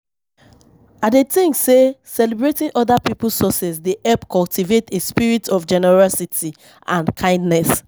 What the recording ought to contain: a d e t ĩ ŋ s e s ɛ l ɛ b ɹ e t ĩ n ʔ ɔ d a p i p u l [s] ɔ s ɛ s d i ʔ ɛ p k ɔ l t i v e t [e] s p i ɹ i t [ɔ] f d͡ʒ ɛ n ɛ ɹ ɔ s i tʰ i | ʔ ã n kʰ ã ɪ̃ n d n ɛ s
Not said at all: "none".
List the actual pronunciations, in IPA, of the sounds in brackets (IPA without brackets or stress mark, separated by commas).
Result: s, e, ɔ